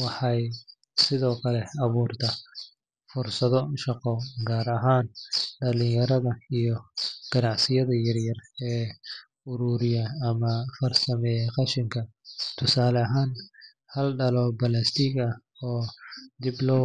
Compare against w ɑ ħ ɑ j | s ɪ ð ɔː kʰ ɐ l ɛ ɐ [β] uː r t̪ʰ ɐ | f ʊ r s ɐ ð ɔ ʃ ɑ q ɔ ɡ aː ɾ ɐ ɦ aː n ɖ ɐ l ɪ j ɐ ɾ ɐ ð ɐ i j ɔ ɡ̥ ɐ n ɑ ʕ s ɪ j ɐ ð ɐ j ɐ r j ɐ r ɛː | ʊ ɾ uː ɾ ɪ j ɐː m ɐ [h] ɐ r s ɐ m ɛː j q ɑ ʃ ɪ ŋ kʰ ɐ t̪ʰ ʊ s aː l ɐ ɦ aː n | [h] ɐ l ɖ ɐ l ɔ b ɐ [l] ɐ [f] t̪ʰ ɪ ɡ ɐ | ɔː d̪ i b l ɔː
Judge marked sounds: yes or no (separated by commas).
yes, no, yes, yes, no